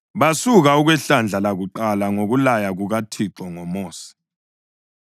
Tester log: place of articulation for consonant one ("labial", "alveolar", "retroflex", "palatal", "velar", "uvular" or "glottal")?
labial